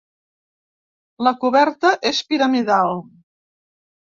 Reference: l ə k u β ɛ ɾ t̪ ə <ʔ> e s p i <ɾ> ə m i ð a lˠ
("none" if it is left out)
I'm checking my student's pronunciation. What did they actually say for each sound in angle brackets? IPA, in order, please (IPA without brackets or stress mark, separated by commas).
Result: ʔ, ɾ